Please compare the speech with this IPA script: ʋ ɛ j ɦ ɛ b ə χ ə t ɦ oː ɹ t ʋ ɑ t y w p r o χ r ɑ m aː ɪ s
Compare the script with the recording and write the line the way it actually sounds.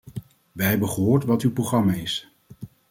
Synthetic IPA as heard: ʋ ɛ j ɦ ɛ b ə χ ə ɦ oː ɹ t ʋ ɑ t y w p r o χ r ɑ m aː ɪ s